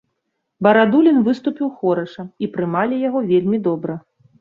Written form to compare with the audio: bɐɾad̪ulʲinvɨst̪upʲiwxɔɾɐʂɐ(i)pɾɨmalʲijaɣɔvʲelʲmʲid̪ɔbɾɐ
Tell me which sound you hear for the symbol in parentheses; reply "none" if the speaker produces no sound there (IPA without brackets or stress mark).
i